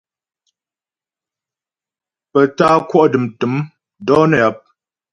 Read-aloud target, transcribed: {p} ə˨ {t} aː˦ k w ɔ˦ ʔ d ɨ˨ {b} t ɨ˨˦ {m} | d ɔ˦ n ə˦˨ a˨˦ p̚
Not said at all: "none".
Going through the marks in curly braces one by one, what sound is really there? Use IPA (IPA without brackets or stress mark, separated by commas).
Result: p, t, m, m